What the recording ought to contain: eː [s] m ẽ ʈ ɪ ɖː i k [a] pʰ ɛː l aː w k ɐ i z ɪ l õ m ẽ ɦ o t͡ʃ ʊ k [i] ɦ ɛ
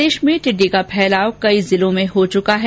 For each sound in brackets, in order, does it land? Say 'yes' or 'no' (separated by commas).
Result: no, yes, no